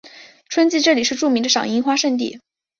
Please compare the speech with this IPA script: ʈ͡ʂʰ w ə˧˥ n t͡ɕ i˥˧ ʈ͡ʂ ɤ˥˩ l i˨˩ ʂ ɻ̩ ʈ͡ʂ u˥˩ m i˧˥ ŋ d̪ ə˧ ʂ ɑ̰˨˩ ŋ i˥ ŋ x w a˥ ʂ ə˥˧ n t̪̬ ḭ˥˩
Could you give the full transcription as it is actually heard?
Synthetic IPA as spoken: ʈ͡ʂʰ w ə˥ n t͡ɕ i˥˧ ʈ͡ʂ ɤ˥˩ l i˨˩ ʂ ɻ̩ ʈ͡ʂ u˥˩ m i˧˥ ŋ d̪ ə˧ ʂ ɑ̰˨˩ ŋ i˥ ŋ x w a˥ ʂ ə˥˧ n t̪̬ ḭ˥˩